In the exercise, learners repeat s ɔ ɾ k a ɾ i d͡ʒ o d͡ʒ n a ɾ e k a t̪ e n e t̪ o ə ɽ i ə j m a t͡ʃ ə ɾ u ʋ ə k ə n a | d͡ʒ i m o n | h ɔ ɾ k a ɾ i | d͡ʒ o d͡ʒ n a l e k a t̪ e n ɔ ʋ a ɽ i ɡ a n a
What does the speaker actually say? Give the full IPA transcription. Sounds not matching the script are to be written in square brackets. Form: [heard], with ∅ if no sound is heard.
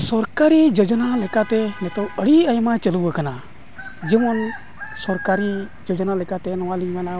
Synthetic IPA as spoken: s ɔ ɾ k a ɾ i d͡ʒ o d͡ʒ n a [l] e k a t̪ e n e t̪ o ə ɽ i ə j m a t͡ʃ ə [l] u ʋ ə k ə n a | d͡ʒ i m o n | [s] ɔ ɾ k a ɾ i | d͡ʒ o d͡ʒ n a l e k a t̪ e n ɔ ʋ a [l] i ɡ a n a